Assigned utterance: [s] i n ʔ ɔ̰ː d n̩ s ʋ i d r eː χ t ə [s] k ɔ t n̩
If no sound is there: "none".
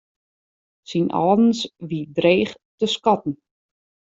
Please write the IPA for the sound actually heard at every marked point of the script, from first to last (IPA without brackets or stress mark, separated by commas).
s, s